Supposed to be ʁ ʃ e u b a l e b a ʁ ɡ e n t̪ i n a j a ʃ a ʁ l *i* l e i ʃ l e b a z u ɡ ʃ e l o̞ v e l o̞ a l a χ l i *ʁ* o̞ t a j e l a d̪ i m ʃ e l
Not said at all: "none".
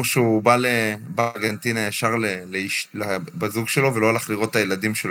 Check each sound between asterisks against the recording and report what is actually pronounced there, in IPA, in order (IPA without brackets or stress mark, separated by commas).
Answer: e, ʁ